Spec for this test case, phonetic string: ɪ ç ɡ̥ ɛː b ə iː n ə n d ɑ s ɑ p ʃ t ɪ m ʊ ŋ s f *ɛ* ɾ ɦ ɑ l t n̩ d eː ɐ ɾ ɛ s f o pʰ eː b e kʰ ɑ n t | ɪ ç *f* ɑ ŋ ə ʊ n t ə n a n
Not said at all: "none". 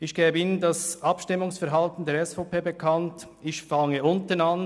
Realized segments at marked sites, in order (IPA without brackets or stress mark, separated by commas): ɛ, f